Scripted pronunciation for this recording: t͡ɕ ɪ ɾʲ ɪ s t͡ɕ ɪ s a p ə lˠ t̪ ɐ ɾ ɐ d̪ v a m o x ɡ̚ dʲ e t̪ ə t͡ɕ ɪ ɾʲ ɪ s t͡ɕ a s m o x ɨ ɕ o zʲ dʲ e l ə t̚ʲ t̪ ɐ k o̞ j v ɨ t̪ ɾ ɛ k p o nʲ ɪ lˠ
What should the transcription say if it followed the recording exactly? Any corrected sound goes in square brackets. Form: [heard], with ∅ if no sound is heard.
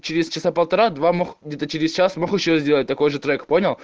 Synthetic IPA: t͡ɕ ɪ ɾʲ ɪ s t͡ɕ ɪ s a p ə lˠ t̪ ɐ ɾ [a] d̪ v a m o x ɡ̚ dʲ e t̪ ə t͡ɕ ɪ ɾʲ ɪ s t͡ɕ a s m o x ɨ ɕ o zʲ dʲ e l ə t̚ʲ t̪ ɐ k o̞ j [ʐ] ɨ t̪ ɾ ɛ k p o nʲ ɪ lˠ